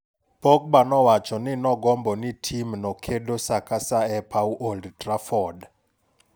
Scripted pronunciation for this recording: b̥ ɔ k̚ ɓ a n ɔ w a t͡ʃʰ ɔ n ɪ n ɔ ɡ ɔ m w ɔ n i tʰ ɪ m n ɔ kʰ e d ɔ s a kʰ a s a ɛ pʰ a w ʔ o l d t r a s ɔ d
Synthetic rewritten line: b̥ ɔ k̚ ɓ a n ɔ w a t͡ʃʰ ɔ n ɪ n ɔ ɡ ɔ m b ɔ n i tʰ i m n ɔ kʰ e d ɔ s a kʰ a s a ɛ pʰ a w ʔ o l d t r a f ɔ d